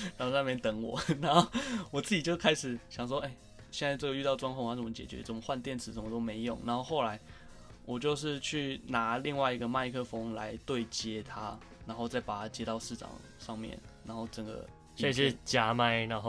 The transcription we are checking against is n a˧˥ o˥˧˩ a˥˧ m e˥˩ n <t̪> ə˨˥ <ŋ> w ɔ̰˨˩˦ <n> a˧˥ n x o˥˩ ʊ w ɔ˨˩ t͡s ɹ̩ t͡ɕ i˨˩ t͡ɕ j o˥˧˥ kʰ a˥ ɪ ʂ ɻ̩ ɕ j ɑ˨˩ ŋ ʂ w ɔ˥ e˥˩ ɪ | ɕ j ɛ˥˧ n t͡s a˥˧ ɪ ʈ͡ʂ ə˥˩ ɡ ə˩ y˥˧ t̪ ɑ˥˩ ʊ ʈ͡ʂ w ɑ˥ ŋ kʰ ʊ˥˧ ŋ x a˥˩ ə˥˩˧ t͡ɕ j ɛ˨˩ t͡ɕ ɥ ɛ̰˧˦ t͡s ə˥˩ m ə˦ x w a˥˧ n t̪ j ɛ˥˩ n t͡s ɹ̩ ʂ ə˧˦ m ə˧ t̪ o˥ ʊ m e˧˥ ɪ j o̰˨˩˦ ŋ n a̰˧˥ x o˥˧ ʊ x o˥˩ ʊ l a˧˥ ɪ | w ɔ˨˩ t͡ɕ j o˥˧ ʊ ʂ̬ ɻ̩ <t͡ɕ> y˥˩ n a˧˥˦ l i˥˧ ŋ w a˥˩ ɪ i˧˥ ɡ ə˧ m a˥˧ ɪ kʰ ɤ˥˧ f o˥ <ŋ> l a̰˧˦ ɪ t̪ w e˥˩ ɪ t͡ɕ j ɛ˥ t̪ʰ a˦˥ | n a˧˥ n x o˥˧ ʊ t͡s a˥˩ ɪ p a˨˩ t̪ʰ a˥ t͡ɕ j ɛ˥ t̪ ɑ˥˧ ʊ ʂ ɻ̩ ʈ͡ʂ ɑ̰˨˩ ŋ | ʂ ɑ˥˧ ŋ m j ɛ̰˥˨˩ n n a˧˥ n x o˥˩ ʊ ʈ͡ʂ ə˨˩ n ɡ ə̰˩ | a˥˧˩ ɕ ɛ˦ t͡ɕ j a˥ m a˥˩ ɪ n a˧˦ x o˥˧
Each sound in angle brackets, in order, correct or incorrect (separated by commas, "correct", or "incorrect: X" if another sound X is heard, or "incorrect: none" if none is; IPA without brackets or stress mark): correct, correct, correct, incorrect: t͡ɕʰ, correct